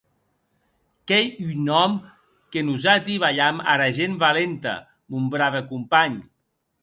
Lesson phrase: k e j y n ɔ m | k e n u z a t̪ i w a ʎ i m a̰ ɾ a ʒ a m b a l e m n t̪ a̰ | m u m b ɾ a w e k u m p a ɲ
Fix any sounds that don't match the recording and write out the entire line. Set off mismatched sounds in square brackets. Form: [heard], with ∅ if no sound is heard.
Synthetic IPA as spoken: k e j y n ɔ m | k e n u z a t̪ i [β] a ʎ [a] m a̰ ɾ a ʒ [e] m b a l e [∅] n t̪ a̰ | m u m b ɾ a [β] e k u m p a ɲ